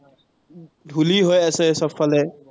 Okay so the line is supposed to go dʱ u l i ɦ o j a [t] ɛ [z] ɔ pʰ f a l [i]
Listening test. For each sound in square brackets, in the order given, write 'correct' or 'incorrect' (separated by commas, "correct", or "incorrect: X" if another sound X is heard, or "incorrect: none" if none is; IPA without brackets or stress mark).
incorrect: s, incorrect: s, incorrect: ɛ